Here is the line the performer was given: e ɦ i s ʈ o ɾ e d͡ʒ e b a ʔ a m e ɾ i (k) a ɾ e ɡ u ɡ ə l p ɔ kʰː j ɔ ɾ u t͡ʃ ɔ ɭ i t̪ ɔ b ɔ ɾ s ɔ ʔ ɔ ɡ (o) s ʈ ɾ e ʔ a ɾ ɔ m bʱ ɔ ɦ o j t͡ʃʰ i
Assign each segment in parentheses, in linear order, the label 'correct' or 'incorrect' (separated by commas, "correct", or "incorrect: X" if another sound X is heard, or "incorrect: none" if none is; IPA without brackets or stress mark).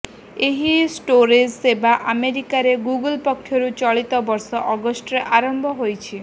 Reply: correct, incorrect: ɔ